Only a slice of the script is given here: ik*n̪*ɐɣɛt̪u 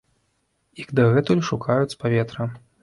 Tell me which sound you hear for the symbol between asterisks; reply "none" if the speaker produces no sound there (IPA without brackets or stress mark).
d̪